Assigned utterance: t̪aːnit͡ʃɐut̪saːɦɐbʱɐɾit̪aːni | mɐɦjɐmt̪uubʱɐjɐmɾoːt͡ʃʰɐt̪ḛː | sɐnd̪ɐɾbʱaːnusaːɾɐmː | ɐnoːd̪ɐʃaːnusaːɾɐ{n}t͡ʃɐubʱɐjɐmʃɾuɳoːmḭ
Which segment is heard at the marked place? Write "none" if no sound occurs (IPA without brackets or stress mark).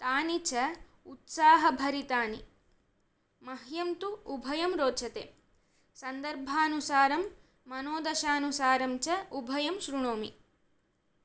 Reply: m